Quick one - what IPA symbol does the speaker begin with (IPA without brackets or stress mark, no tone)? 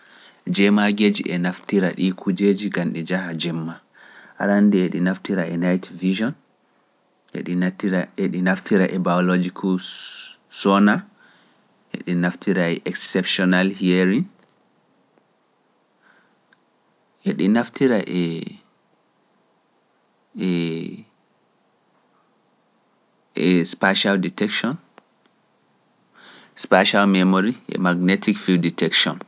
d͡ʒ